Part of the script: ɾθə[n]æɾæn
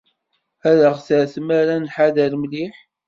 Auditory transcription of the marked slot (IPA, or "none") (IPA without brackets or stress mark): m